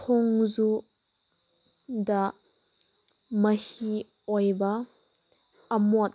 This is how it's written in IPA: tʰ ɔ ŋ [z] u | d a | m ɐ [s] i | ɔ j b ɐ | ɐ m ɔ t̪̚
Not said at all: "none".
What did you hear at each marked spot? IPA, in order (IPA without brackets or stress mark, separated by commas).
z, h